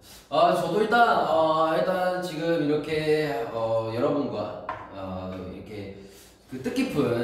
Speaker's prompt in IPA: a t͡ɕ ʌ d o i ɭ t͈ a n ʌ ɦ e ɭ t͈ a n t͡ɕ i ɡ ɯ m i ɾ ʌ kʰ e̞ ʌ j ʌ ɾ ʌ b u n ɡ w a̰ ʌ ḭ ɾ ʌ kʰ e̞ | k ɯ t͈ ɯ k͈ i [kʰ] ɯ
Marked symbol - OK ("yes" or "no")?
no